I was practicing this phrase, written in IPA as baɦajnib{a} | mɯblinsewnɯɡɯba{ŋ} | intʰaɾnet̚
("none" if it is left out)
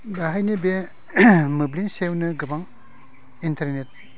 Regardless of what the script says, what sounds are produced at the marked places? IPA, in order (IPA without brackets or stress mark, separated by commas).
e, ŋ